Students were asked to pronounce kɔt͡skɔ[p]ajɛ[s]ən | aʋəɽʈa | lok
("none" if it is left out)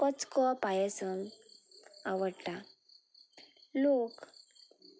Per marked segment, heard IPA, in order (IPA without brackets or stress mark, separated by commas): p, s